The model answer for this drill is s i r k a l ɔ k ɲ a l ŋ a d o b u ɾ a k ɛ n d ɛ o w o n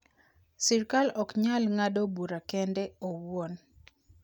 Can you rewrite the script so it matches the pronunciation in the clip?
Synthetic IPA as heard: s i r k a l ɔ k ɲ a l ŋ a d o b u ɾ a k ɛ n d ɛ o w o n